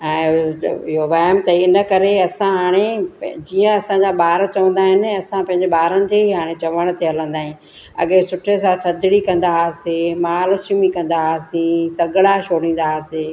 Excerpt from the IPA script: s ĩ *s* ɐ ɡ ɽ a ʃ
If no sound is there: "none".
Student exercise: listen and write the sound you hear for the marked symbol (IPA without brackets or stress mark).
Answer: s